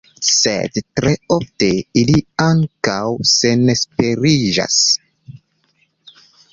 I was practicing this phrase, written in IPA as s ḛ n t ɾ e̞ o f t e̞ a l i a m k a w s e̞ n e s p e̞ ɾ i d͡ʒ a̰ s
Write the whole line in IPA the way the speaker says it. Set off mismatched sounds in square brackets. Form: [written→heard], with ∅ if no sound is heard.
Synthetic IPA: s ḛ [n→d] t ɾ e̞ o f t e̞ [a→i] l i a [m→ŋ] k a w s e̞ n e s p e̞ ɾ i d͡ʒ a̰ s